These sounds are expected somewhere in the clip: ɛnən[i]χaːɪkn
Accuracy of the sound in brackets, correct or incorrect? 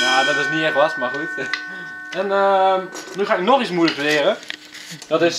incorrect